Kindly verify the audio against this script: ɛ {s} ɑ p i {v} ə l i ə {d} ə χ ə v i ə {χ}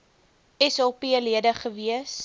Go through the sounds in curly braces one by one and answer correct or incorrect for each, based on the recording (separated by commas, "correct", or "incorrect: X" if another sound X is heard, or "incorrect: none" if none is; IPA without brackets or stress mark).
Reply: correct, incorrect: none, correct, incorrect: s